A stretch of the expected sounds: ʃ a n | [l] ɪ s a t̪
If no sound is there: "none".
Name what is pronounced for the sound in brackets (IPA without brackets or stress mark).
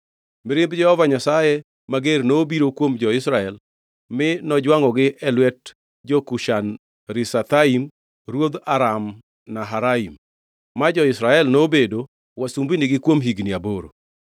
ɾ